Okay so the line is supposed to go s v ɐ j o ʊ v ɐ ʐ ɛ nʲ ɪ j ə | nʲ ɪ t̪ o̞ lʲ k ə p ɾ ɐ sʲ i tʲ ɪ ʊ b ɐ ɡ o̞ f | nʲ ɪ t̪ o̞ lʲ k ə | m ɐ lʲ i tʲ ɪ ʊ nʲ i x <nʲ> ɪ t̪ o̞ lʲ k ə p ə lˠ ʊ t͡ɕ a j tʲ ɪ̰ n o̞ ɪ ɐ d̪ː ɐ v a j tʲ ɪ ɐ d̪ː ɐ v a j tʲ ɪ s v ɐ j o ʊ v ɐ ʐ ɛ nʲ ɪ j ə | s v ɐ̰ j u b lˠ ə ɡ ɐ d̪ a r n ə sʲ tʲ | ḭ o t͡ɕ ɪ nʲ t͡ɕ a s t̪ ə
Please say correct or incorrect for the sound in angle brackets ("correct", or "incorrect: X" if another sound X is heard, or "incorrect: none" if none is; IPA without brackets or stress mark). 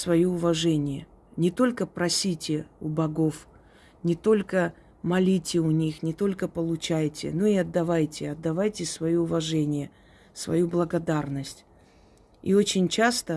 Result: correct